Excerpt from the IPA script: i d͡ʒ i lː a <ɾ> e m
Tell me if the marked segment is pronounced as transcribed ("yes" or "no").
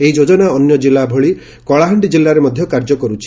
yes